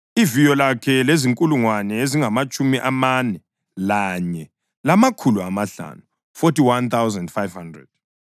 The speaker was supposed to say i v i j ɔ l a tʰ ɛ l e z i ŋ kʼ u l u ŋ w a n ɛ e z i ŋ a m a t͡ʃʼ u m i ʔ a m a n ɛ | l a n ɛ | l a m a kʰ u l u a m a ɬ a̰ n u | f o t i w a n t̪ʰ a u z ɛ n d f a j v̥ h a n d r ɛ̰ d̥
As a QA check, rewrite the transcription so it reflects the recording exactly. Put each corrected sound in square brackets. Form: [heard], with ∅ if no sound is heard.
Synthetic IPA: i v i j ɔ l a [kʰ] ɛ l e z i ŋ kʼ u l u ŋ w a n ɛ e z i ŋ a m a t͡ʃʼ u m i ʔ a m a n ɛ | l a [ɲ] ɛ | l a m a kʰ u l u a m a ɬ a̰ n u | f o t i w a n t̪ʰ a [w] z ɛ n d f a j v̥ h a n d r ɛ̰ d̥